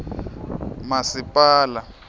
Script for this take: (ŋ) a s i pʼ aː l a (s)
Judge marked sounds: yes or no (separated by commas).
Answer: no, no